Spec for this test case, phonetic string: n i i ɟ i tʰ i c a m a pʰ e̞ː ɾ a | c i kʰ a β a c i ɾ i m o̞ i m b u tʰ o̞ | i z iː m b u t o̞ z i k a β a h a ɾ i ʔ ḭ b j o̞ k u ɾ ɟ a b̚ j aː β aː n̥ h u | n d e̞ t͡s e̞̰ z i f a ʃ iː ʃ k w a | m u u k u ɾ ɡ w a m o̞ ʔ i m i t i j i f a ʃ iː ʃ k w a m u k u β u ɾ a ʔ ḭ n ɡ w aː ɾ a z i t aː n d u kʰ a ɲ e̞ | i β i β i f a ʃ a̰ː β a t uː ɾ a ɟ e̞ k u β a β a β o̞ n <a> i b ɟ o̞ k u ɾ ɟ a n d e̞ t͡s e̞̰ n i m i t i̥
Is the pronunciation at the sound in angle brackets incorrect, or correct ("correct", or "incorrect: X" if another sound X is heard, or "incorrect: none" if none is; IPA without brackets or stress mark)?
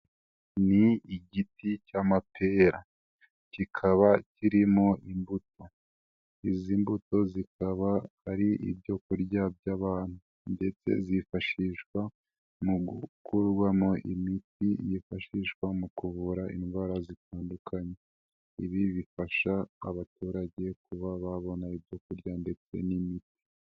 correct